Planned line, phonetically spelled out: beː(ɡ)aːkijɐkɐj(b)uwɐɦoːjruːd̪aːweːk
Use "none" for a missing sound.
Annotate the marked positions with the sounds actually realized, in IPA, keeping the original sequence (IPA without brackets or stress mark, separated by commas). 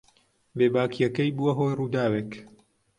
b, b